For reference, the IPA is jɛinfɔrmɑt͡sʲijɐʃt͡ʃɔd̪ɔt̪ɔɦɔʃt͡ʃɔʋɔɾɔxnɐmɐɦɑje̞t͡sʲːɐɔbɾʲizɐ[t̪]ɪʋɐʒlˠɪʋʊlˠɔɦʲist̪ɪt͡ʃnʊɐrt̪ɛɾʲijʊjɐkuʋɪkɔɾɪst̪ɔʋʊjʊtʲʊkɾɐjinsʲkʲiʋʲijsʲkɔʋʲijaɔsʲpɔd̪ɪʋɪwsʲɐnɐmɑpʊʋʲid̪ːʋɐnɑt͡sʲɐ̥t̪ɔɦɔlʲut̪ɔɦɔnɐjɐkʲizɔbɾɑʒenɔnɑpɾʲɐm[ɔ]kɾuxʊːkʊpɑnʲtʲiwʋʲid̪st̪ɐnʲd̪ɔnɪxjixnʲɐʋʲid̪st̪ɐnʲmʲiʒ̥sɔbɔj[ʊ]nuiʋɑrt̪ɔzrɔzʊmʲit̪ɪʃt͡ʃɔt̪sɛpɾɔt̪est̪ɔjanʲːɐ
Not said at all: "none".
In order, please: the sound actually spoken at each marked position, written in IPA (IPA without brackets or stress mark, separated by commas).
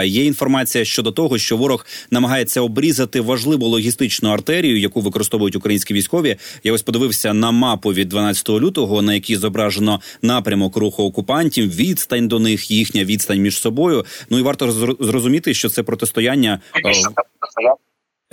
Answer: t̪, ɔ, ʊ